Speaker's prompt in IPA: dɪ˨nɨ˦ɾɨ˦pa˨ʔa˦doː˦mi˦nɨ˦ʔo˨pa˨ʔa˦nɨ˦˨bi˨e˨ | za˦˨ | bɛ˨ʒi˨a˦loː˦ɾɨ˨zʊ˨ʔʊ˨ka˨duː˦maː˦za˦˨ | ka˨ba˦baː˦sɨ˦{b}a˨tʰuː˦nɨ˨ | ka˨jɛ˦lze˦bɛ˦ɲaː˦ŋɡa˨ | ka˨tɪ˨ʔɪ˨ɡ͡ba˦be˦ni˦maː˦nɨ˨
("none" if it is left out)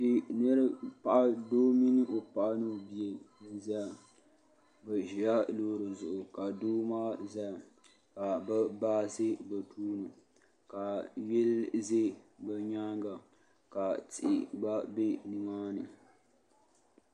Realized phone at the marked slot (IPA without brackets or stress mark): b